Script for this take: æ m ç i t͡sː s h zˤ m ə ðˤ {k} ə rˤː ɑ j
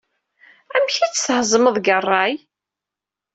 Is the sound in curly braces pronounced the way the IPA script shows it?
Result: no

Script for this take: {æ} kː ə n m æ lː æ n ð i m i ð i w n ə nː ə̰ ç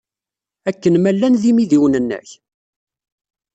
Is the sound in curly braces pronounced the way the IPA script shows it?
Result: yes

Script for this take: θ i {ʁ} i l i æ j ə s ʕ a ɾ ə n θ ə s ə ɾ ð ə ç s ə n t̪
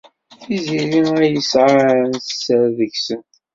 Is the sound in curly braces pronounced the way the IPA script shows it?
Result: no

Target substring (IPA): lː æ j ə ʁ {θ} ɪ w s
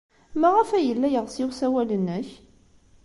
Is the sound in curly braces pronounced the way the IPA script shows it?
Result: no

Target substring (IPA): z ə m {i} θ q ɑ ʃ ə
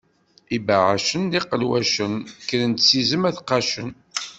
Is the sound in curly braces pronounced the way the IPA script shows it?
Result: no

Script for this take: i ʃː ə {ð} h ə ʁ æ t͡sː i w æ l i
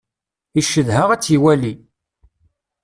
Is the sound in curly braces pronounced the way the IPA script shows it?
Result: yes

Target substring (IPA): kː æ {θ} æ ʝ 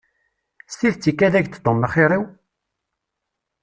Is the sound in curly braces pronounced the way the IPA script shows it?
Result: no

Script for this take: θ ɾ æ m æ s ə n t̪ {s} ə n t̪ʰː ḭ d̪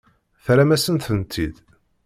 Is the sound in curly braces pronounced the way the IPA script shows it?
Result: no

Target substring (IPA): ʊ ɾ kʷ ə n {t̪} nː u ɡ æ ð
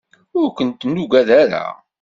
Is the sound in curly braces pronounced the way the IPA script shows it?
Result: yes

